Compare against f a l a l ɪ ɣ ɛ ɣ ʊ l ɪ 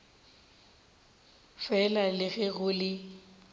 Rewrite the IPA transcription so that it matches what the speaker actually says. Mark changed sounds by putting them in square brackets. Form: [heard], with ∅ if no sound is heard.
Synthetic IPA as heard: f [ɛ] l a l ɪ ɣ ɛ ɣ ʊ l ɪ